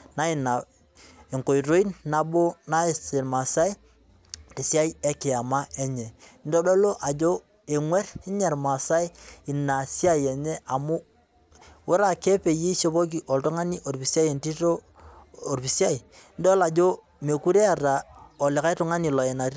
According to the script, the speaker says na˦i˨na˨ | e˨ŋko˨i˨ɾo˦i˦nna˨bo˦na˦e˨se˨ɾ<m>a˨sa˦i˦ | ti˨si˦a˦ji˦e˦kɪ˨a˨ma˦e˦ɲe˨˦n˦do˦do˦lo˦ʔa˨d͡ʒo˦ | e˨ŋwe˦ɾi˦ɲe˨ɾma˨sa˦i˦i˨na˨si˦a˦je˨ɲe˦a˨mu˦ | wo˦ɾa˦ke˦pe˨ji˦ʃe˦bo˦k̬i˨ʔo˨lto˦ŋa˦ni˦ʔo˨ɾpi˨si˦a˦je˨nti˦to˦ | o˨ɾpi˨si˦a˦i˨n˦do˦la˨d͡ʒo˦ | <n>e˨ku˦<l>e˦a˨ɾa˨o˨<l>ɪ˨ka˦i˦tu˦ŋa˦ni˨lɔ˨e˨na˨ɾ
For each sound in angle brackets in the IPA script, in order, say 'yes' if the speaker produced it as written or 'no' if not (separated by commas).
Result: yes, no, no, yes